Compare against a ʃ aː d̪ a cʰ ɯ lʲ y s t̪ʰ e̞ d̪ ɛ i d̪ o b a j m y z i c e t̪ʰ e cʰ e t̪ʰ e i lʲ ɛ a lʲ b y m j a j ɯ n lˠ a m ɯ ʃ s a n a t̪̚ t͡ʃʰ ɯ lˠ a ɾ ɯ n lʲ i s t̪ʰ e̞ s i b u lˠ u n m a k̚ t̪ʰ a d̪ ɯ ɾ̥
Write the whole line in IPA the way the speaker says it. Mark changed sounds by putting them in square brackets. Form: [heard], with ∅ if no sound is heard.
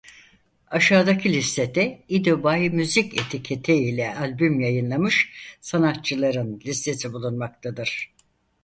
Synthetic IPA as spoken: a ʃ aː d̪ a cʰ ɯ lʲ [i] s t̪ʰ e̞ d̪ ɛ i d̪ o b a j m y z i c e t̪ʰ [i] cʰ e t̪ʰ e i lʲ ɛ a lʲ b y m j a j ɯ n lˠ a m ɯ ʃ s a n a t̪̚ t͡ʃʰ ɯ lˠ a ɾ ɯ n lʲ i s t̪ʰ e̞ s i b u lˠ u n m a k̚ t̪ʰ a d̪ ɯ ɾ̥